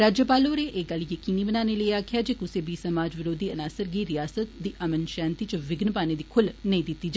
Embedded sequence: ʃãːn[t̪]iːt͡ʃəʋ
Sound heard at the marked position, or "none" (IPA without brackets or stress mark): t̪